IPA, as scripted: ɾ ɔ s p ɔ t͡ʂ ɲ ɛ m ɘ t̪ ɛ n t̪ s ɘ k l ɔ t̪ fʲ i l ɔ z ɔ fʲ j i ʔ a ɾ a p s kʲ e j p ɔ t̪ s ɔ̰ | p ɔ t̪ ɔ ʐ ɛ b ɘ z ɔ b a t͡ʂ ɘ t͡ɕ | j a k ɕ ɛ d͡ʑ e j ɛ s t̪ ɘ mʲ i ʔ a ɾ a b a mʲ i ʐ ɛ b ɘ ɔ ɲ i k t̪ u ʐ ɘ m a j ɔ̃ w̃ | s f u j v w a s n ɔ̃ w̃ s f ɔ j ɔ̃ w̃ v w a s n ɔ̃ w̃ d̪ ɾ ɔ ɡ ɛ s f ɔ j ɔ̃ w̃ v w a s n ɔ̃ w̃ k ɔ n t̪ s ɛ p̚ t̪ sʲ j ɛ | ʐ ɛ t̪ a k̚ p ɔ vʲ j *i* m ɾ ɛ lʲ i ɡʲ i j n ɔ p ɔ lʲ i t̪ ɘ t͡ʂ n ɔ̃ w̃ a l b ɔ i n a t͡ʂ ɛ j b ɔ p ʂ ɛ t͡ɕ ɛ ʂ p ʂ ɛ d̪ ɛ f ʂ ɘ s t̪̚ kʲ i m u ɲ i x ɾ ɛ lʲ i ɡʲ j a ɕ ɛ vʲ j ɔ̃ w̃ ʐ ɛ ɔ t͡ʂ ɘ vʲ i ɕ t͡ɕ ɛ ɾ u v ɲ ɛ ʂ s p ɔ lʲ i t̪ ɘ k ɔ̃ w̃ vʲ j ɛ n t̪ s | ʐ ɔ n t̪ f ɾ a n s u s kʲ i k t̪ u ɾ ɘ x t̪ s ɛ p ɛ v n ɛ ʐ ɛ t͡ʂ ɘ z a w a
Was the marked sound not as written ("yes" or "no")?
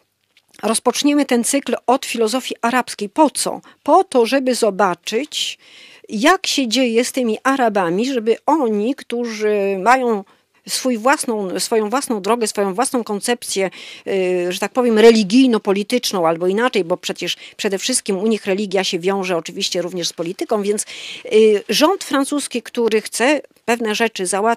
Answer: yes